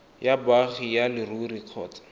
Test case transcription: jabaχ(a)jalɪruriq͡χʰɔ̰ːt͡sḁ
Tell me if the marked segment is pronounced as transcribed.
no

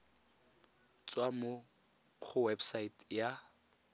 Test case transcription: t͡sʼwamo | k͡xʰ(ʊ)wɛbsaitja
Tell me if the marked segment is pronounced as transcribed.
yes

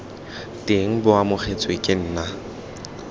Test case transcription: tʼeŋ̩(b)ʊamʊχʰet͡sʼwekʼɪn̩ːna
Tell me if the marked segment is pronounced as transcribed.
yes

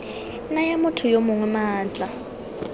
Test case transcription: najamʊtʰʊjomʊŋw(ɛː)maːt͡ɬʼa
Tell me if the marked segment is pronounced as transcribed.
no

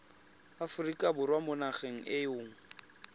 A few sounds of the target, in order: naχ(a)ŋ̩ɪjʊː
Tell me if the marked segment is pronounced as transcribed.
no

